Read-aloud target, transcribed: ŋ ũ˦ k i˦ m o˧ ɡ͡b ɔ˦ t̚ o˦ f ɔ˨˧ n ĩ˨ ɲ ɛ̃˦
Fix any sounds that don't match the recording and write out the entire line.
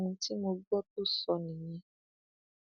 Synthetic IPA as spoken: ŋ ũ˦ t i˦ m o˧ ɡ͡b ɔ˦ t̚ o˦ s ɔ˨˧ n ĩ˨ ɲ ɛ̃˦

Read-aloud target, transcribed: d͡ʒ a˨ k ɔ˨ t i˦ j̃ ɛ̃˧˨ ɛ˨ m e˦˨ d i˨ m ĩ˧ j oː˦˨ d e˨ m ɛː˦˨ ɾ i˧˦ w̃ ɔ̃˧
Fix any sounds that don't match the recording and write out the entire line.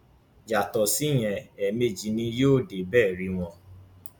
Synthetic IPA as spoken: d͡ʒ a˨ t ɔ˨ s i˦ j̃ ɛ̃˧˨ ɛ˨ m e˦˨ d͡ʒ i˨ n ĩ˧ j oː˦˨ d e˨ b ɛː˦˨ ɾ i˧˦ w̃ ɔ̃˧

